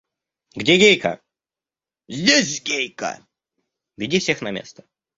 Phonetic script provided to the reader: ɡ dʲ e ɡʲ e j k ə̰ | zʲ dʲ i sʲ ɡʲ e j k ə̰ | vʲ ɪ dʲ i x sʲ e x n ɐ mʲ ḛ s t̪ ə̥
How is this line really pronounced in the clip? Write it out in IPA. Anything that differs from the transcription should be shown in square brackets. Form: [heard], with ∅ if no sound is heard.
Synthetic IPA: ɡ dʲ e ɡʲ e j k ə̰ | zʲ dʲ [e] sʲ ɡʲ e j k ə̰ | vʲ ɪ dʲ i [f] sʲ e x n ɐ mʲ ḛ s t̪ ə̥

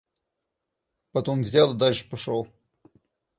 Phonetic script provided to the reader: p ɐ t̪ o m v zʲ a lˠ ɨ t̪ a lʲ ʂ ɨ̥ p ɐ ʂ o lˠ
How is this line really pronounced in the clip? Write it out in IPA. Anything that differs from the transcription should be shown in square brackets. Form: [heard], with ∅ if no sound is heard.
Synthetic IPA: p ɐ t̪ o m v zʲ a lˠ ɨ [d̪] a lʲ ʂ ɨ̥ p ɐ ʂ o lˠ

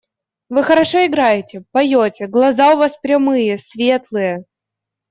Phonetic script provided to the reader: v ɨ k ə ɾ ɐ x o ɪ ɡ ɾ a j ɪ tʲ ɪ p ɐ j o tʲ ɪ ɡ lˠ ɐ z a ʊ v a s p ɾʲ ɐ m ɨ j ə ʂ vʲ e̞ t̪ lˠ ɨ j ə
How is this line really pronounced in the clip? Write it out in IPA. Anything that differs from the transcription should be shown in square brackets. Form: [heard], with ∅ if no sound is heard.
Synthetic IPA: v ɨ [x] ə ɾ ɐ [ʂ] o ɪ ɡ ɾ a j ɪ tʲ ɪ p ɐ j o tʲ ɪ ɡ lˠ ɐ z a ʊ v a s p ɾʲ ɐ m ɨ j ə [s] vʲ e̞ t̪ lˠ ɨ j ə

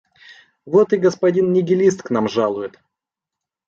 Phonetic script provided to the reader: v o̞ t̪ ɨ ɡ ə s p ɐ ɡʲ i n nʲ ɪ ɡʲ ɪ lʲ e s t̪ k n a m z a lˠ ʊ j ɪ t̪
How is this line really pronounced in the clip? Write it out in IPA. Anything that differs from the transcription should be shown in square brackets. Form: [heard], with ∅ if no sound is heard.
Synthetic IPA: v o̞ t̪ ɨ ɡ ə s p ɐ [dʲ] i n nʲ ɪ ɡʲ ɪ lʲ [i] s t̪ k n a m [ʐ] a lˠ ʊ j ɪ t̪

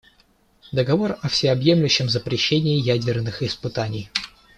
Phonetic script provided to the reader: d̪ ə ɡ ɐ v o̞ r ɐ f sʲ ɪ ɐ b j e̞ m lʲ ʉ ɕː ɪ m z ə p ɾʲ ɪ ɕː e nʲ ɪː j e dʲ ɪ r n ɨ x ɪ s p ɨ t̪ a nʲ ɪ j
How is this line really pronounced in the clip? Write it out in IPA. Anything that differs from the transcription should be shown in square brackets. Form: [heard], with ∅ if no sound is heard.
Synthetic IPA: d̪ ə ɡ ɐ v o̞ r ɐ f sʲ ɪ ɐ b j e̞ m lʲ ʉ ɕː ɪ m z ə p ɾʲ ɪ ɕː e nʲ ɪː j [æ] dʲ ɪ r n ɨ x ɪ s p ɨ t̪ a nʲ ɪ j

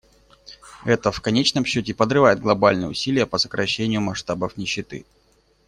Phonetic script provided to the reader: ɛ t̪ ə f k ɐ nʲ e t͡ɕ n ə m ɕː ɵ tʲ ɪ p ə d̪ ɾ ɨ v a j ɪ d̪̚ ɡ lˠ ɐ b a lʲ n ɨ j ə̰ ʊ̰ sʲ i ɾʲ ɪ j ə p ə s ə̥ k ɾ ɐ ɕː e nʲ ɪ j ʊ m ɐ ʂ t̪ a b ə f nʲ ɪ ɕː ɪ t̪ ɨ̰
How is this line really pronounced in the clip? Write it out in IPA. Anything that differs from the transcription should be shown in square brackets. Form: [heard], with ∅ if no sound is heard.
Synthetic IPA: ɛ t̪ ə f k ɐ nʲ e t͡ɕ n ə m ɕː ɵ tʲ ɪ p ə d̪ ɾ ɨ v a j ɪ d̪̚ ɡ lˠ ɐ b a lʲ n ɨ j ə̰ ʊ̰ sʲ i [lʲ] ɪ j ə p ə s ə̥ k ɾ ɐ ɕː e nʲ ɪ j ʊ m ɐ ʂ t̪ a b ə f nʲ ɪ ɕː ɪ t̪ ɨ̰

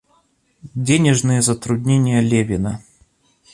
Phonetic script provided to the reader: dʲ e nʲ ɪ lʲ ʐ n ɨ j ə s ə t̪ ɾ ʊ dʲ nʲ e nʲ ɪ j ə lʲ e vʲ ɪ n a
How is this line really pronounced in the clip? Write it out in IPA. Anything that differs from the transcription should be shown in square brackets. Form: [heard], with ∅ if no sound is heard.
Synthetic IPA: dʲ e nʲ ɪ [∅] ʐ n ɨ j ə [z] ə t̪ ɾ ʊ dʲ nʲ e nʲ ɪ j ə lʲ e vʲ ɪ n [ə]

